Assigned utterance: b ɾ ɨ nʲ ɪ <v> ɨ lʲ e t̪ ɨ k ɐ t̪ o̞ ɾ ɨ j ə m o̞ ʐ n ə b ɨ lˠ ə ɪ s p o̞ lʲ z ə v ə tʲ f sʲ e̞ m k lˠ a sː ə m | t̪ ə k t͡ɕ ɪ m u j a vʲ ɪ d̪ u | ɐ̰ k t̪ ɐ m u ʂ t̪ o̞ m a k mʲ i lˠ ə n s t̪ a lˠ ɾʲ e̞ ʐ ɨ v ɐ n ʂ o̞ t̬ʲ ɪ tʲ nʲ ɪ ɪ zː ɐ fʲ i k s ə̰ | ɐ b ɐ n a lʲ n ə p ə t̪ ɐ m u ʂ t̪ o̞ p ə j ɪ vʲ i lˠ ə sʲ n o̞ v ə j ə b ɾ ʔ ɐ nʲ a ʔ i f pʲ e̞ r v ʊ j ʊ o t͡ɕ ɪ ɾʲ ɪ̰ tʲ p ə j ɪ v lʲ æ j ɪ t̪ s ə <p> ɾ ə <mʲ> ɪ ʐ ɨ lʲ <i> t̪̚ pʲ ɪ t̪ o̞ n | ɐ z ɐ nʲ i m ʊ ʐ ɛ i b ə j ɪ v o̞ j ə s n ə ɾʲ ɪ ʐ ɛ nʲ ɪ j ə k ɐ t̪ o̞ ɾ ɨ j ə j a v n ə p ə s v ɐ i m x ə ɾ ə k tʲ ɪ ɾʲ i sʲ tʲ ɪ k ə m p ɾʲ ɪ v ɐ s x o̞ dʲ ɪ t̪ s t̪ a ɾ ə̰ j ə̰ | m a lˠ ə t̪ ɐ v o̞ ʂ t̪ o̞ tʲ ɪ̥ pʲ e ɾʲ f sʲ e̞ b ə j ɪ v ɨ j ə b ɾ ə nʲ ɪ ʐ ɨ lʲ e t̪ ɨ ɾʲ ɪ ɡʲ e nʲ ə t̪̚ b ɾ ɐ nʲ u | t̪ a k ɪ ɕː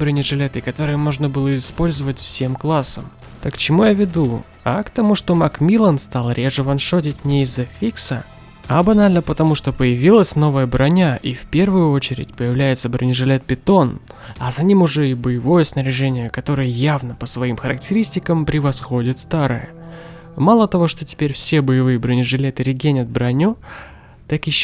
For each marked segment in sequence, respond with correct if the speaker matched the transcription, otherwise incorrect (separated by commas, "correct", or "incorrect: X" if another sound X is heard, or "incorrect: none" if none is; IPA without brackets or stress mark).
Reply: incorrect: ʐ, incorrect: b, incorrect: nʲ, incorrect: e